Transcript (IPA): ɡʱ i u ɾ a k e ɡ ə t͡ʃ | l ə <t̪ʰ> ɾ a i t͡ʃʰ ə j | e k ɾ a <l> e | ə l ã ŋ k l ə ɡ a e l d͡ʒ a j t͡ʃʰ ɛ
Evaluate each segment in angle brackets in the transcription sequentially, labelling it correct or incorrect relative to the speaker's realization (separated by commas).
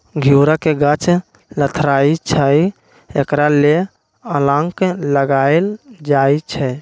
correct, correct